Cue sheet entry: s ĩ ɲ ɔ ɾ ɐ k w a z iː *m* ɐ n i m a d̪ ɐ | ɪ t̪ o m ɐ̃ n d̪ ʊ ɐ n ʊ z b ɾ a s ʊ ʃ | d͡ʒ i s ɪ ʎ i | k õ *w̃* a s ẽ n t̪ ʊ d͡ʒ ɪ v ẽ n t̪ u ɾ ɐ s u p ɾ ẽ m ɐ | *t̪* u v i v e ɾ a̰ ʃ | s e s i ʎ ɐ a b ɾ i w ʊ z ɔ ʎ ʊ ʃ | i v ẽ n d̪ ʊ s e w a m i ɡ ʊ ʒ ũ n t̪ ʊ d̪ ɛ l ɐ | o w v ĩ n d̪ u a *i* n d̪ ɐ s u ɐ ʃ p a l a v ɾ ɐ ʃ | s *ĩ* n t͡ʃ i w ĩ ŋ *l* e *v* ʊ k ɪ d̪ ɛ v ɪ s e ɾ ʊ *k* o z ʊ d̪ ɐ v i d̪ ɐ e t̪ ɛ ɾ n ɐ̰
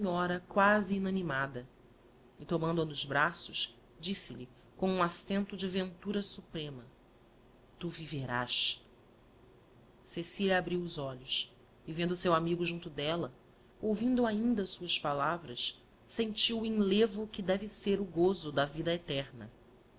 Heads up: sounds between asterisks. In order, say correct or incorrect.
incorrect, incorrect, correct, incorrect, incorrect, correct, correct, incorrect

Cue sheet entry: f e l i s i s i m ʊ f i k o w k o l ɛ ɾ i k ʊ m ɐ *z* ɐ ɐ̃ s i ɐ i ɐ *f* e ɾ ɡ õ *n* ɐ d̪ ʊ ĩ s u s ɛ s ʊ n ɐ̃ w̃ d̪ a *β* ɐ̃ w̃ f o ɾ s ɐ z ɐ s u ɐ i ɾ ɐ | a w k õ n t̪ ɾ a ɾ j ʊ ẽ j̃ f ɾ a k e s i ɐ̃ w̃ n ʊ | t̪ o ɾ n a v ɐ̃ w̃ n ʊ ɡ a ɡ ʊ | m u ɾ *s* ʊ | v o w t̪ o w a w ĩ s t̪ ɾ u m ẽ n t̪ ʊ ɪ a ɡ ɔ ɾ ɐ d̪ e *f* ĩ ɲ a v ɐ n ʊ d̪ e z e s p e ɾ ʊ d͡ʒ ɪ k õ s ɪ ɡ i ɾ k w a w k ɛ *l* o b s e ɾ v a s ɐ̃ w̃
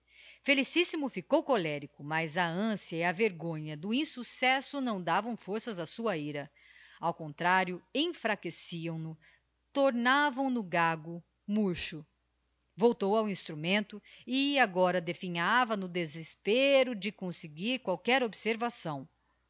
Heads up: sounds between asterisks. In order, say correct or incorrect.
correct, incorrect, incorrect, incorrect, incorrect, correct, incorrect

